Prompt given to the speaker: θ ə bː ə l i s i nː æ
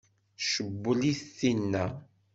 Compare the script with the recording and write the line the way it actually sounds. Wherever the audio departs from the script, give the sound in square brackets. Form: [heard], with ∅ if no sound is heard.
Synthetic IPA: [ʃ] ə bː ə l i [θ] i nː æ